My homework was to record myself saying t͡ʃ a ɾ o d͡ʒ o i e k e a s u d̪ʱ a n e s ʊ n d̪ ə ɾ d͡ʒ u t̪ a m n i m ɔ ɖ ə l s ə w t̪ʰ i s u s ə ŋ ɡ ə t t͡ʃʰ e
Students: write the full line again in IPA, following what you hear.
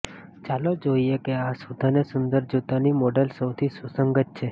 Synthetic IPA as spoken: t͡ʃ a l o d͡ʒ o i e k e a s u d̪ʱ a n e s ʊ n d̪ ə ɾ d͡ʒ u t̪ a n i m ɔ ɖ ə l s ə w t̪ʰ i s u s ə ŋ ɡ ə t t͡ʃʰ e